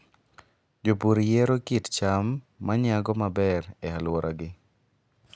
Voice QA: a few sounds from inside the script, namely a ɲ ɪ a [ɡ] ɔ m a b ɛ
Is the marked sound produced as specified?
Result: yes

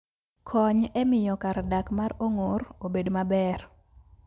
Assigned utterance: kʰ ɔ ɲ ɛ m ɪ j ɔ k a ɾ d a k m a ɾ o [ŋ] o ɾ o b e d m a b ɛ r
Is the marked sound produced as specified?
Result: yes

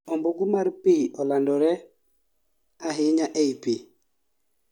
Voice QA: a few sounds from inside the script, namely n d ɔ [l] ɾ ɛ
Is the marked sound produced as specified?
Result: no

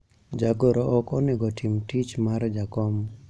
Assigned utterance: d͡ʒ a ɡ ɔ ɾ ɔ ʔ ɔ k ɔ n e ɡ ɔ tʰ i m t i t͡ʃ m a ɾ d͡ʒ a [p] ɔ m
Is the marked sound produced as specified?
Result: no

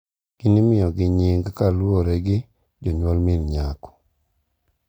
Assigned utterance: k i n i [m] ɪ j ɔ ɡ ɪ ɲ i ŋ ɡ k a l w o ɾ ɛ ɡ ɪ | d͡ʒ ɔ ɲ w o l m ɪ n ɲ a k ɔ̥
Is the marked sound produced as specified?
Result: yes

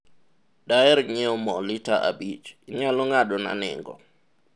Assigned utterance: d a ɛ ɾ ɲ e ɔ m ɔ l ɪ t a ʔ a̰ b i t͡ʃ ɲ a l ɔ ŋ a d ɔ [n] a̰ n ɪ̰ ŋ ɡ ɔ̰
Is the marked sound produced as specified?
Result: yes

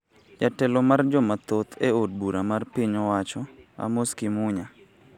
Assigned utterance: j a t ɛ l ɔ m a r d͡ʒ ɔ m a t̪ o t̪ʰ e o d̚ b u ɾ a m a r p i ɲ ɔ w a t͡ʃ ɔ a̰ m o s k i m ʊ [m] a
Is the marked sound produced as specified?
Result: no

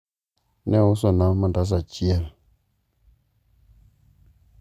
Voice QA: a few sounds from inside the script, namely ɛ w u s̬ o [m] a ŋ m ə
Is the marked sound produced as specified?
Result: no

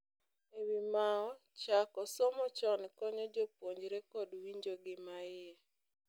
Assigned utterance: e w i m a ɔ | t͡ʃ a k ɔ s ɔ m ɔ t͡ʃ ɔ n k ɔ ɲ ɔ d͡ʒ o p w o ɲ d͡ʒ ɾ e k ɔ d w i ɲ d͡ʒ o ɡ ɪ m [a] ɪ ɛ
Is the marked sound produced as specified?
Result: yes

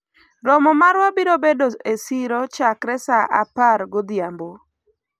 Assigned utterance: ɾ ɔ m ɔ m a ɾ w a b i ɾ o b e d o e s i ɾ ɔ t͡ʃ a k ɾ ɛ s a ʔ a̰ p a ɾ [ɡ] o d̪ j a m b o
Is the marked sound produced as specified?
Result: yes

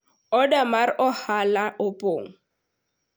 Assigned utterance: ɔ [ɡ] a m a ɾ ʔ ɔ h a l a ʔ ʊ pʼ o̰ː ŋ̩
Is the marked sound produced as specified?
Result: no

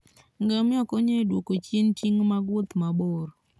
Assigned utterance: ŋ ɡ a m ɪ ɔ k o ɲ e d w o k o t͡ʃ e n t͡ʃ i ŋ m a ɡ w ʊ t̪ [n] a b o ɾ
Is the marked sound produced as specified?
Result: no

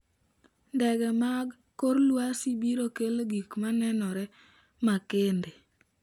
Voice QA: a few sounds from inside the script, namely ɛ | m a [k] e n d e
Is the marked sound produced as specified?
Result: yes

